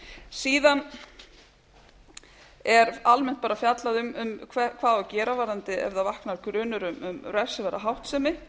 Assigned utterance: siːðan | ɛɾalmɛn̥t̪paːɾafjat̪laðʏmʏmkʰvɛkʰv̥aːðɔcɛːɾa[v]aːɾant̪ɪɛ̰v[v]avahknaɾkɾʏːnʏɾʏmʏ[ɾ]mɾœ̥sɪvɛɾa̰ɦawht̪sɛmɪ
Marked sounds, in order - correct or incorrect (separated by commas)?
correct, incorrect, incorrect